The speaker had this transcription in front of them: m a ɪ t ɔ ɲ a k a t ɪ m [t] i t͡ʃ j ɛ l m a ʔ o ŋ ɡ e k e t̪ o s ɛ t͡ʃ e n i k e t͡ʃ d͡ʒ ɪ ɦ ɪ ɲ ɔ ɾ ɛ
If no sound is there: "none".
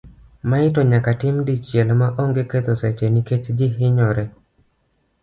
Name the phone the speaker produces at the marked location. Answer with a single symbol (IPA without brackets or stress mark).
d